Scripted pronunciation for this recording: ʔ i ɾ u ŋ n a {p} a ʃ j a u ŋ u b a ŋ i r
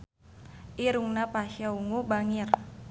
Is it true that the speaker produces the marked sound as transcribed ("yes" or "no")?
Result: yes